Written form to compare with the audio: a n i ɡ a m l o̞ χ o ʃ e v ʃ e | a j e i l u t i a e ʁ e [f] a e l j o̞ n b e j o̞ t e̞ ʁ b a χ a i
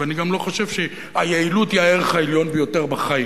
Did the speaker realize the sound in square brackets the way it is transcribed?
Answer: no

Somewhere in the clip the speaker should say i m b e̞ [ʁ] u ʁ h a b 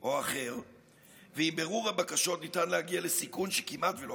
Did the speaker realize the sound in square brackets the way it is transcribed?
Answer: yes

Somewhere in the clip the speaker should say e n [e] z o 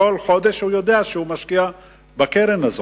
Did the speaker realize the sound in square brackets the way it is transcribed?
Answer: no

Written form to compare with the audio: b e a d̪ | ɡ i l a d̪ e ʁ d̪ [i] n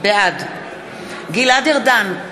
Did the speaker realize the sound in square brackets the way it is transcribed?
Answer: no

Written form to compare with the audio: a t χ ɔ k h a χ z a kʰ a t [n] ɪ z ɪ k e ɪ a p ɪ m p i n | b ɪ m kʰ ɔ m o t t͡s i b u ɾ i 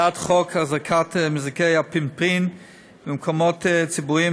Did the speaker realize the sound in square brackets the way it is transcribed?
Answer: no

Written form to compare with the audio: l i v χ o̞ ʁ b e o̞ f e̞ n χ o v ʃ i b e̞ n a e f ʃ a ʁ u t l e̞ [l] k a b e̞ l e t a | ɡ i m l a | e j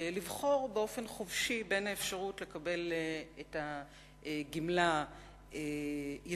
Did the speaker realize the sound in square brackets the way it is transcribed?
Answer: no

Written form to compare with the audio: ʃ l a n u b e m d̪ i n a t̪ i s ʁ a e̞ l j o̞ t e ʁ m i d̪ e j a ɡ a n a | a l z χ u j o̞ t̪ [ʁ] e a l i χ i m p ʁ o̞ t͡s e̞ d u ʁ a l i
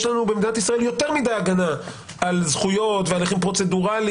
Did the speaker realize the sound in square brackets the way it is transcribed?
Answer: no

